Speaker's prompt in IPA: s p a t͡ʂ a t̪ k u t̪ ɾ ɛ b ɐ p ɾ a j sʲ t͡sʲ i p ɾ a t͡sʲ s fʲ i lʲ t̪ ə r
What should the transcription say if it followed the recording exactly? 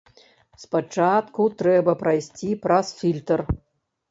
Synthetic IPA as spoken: s p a t͡ʂ a t̪ k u t̪ ɾ ɛ b ɐ p ɾ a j sʲ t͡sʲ i p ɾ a s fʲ i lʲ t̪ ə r